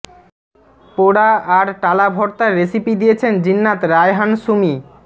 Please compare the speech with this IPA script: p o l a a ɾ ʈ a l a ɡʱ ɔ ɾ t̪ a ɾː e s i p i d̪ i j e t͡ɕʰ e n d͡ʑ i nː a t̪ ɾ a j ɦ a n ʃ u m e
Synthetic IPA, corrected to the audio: p o ɽ a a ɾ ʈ a l a bʱ ɔ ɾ t̪ a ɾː e s i p i d̪ i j e t͡ɕʰ e n d͡ʑ i nː a t̪ ɾ a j ɦ a n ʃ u m i